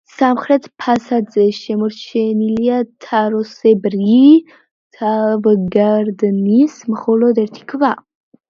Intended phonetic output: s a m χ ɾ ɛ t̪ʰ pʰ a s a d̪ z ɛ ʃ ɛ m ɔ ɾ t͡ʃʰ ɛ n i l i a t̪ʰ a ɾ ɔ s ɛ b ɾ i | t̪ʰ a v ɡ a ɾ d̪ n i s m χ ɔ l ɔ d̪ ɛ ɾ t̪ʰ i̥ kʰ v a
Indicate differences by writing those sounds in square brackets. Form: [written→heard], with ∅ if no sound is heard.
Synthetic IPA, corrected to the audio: s a m χ ɾ ɛ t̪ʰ pʰ a s a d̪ z ɛ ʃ ɛ m ɔ ɾ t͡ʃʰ ɛ n i l i a t̪ʰ a ɾ ɔ s ɛ b ɾ i | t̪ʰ a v ɡ a ɾ d̪ n i s m χ ɔ l ɔ d̪ ɛ ɾ t̪ʰ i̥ kʰ v a